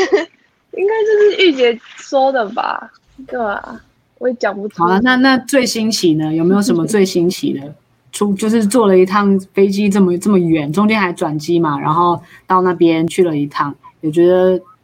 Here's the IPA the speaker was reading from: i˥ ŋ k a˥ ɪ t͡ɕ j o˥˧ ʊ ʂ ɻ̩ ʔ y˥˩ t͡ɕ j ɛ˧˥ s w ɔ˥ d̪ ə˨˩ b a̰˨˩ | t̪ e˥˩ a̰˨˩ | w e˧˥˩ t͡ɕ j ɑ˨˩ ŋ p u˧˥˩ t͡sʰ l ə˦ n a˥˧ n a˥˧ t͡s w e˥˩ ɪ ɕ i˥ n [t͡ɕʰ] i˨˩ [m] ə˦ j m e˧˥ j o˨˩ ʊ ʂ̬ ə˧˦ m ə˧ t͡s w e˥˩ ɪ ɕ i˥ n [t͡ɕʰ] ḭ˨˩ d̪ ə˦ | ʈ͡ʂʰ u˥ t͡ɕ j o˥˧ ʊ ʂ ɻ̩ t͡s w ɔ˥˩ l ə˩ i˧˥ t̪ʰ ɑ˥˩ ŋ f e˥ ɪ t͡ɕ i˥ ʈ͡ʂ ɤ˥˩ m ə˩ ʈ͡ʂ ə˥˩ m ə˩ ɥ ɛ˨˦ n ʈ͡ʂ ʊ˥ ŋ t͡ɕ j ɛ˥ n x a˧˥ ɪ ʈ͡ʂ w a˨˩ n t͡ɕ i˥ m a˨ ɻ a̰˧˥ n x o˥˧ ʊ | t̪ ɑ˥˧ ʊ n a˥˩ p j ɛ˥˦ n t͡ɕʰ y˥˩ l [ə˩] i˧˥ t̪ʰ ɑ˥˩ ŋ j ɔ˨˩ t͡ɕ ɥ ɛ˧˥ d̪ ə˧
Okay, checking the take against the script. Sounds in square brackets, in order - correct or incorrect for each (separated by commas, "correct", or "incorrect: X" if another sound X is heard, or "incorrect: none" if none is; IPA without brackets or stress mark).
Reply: correct, incorrect: n, correct, correct